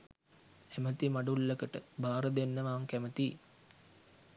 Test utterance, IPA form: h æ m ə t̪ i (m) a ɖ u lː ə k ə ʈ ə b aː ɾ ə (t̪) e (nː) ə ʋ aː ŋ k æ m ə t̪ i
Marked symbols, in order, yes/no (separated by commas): yes, no, yes